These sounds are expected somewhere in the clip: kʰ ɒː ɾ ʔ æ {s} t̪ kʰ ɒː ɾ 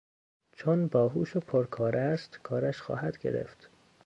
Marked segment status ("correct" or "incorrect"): correct